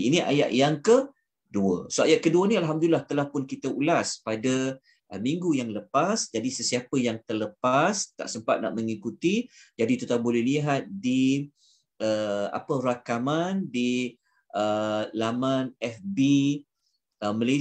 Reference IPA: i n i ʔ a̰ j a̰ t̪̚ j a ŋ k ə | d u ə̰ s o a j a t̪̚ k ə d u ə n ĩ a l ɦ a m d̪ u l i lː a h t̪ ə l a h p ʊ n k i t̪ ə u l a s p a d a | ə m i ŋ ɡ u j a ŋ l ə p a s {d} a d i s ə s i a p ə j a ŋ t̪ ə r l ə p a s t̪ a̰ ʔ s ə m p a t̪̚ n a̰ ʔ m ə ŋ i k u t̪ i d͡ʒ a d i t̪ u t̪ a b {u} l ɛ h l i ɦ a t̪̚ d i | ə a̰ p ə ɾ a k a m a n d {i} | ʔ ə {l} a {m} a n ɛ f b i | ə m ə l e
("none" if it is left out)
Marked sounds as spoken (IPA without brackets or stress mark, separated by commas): d͡ʒ, o, i, l, m